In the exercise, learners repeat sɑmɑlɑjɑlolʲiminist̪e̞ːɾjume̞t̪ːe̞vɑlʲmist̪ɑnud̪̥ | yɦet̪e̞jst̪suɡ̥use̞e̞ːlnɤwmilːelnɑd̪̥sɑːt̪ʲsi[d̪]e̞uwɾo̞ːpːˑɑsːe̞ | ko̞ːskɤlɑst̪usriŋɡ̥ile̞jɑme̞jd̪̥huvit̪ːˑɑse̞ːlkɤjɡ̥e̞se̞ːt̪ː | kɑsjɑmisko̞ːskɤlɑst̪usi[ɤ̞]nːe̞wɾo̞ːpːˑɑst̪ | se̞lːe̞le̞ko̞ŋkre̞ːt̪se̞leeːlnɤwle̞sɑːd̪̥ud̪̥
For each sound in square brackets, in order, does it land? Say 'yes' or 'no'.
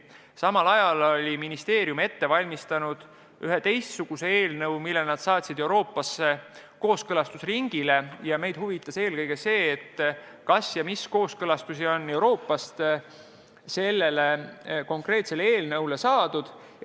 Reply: yes, no

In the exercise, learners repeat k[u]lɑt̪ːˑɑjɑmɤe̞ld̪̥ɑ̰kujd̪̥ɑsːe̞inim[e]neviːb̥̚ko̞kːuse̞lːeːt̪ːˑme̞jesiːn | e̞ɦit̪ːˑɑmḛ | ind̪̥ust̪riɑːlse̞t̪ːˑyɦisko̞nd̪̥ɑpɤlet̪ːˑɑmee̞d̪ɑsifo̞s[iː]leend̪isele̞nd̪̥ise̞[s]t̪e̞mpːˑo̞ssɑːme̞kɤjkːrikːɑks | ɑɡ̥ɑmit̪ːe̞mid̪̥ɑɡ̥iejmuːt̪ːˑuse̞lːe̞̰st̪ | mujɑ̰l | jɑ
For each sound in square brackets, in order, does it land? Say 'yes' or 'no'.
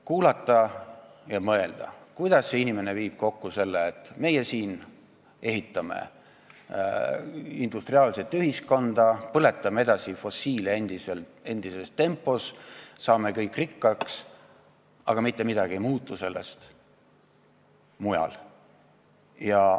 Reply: no, yes, yes, yes

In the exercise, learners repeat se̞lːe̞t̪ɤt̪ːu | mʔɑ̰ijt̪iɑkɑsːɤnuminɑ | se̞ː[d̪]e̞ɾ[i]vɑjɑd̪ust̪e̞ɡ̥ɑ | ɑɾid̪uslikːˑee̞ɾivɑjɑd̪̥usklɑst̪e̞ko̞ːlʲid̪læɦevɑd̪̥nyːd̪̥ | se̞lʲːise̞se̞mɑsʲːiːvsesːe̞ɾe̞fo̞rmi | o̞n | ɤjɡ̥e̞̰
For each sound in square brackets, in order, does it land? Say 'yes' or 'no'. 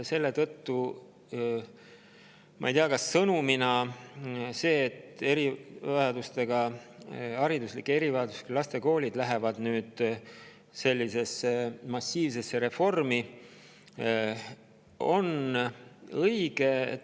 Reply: no, yes

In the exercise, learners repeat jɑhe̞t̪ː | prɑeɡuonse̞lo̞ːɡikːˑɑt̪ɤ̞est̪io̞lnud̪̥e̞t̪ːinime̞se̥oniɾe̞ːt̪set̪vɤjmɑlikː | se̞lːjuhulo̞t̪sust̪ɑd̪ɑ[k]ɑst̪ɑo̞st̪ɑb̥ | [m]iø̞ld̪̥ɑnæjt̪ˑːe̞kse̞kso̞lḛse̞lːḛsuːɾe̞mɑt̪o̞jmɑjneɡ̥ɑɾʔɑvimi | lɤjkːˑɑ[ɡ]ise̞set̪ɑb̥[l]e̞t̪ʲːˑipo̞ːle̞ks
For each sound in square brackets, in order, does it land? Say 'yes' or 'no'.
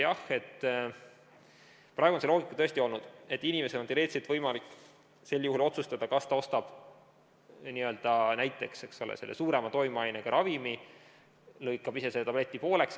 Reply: yes, no, no, yes

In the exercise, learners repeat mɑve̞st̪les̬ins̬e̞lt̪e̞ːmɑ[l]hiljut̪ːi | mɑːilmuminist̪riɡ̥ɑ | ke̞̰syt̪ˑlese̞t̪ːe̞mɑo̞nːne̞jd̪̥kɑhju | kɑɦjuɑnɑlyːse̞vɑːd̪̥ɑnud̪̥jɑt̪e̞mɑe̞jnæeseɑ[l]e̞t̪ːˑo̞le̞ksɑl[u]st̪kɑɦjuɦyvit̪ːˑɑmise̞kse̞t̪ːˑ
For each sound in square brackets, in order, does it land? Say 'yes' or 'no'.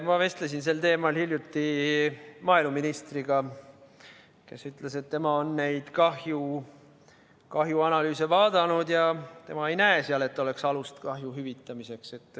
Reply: yes, yes, yes

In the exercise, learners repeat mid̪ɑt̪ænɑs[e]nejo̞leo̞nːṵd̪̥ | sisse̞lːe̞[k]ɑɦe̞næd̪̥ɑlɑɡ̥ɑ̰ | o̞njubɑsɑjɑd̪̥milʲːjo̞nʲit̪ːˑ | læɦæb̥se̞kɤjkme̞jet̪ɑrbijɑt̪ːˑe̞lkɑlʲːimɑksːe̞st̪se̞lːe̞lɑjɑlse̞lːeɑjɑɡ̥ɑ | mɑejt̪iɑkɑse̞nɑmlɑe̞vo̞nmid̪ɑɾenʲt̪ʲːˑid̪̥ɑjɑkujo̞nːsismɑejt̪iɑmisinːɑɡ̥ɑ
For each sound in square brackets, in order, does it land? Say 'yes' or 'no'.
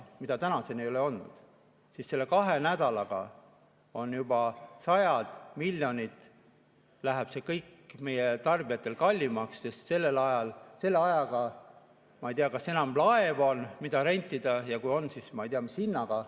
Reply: yes, yes

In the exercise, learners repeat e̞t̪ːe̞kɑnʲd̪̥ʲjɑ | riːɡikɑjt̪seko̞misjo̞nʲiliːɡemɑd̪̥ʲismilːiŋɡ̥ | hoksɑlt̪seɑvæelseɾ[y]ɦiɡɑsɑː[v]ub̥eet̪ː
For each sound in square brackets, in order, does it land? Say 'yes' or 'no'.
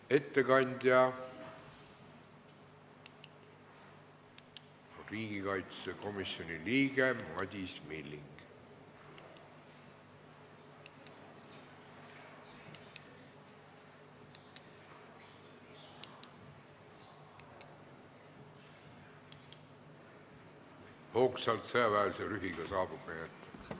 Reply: yes, no

